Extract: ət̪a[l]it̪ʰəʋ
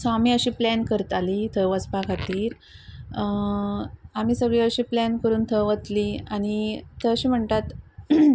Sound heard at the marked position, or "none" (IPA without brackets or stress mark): l